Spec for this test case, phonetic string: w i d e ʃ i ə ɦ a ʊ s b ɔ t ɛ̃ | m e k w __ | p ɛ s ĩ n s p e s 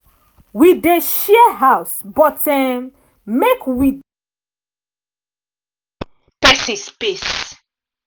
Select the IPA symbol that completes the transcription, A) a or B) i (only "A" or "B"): B